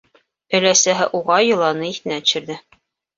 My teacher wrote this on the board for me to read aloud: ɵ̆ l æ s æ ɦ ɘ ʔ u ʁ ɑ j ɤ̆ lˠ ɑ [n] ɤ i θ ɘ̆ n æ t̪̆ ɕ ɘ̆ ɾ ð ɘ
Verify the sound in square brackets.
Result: correct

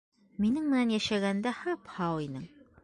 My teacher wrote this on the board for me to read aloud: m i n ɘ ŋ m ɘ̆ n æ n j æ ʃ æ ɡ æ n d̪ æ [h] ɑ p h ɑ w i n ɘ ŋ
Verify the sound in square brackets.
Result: correct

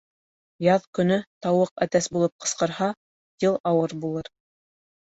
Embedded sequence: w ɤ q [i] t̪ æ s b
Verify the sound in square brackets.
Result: incorrect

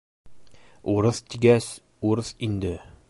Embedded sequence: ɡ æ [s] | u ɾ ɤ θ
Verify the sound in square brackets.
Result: correct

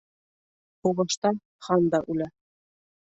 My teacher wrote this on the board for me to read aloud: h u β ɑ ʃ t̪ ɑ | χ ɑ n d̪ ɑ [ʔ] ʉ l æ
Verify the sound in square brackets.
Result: correct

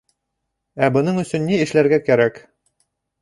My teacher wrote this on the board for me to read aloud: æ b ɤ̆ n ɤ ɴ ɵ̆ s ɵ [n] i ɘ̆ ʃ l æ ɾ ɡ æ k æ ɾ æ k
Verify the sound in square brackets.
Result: incorrect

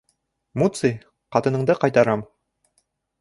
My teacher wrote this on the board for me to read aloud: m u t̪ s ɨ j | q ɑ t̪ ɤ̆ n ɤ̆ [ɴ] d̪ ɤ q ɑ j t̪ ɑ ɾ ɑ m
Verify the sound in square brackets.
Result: correct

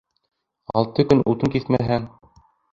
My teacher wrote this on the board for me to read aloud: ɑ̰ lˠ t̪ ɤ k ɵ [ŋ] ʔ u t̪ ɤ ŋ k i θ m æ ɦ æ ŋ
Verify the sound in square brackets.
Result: incorrect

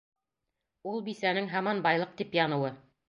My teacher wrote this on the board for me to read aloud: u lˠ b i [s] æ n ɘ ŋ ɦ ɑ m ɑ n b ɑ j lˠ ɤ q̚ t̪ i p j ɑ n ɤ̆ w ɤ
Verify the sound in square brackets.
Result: correct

